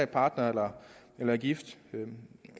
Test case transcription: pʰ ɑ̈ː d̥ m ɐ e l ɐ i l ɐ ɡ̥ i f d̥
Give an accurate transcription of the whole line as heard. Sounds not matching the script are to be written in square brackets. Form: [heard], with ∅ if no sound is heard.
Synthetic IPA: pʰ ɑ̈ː d̥ [n] ɐ e l ɐ [e] l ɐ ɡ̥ i f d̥